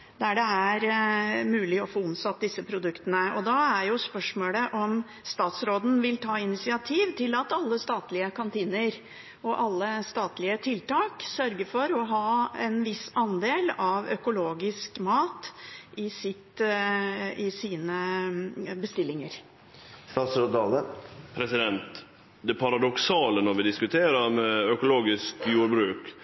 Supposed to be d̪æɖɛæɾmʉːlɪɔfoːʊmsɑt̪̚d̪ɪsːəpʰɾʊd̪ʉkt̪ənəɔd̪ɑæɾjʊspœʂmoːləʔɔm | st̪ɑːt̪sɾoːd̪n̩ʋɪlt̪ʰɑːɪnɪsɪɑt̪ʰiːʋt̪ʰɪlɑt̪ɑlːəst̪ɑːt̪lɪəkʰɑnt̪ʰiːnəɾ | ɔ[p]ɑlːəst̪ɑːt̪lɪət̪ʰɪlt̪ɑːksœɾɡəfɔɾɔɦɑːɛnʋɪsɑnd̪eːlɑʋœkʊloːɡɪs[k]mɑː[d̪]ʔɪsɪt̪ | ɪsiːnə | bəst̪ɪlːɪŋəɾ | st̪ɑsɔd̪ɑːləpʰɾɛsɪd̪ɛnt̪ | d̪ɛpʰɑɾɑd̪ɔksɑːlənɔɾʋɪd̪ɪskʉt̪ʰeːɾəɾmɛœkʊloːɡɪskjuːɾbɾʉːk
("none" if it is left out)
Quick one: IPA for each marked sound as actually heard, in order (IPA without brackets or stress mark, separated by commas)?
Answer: ʔ, k, t̪